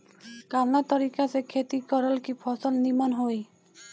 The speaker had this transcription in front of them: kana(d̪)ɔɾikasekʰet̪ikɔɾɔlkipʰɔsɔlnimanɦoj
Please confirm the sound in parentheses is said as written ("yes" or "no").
no